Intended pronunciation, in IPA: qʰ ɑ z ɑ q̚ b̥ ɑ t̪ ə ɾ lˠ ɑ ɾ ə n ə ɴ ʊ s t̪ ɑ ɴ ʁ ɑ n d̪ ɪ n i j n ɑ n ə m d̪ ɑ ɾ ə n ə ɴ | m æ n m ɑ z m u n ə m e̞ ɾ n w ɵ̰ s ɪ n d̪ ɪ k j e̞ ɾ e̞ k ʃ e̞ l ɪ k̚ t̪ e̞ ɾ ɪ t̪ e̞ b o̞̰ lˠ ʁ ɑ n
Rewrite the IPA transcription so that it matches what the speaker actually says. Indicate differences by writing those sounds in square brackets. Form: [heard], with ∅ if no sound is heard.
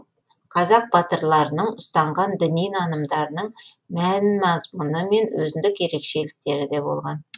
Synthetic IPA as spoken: qʰ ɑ z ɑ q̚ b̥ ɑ t̪ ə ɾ lˠ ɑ ɾ ə n ə ɴ ʊ s t̪ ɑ ɴ ʁ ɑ n d̪ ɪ n i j n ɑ n ə m d̪ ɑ ɾ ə n ə ɴ | m æ n m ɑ z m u n ə m e̞ [∅] n w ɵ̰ [z] ɪ n d̪ ɪ k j e̞ ɾ e̞ k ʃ e̞ l ɪ k̚ t̪ e̞ ɾ ɪ [d̪] e̞ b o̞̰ lˠ ʁ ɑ n